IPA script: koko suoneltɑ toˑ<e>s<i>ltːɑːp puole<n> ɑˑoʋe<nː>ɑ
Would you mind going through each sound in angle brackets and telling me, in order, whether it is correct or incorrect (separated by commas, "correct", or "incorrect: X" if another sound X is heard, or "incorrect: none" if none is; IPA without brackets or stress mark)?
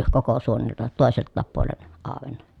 correct, incorrect: e, correct, correct